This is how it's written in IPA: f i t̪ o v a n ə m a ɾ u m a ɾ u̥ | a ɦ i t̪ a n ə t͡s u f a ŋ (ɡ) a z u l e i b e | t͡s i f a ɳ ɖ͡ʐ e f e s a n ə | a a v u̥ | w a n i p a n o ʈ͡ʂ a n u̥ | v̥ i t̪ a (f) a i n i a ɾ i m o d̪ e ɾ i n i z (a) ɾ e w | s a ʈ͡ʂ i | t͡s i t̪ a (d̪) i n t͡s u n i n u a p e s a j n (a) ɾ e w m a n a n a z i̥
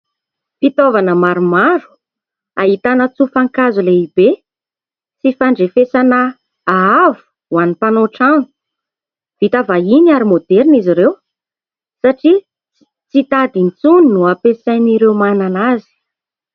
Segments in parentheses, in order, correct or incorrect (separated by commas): incorrect, incorrect, incorrect, correct, incorrect